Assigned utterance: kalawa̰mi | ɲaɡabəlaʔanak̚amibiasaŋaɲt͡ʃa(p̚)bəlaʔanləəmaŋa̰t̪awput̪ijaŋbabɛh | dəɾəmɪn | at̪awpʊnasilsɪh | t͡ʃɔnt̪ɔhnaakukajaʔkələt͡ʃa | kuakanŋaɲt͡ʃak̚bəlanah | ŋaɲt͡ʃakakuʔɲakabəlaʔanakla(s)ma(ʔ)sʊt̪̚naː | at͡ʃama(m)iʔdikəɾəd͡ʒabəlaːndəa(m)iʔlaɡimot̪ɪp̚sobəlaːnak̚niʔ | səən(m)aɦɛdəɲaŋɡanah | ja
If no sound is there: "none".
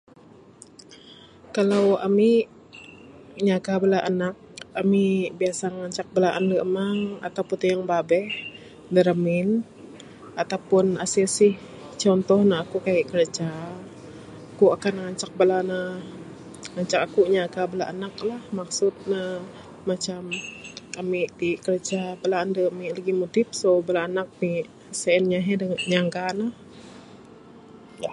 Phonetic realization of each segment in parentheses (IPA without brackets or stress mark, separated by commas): k̚, h, k, m, m, ɲ